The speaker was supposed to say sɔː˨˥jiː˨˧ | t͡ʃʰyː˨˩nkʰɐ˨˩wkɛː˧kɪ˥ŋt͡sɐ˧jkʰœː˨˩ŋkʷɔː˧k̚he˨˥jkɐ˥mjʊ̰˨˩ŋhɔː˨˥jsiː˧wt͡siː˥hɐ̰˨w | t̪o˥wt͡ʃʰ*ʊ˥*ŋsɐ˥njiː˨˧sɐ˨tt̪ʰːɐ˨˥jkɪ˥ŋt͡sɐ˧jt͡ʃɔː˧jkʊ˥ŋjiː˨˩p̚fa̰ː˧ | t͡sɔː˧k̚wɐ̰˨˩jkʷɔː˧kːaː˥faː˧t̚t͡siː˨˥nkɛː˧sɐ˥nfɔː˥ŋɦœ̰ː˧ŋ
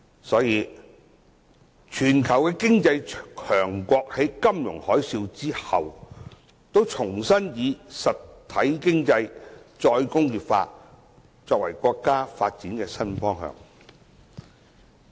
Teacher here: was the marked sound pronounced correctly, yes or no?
no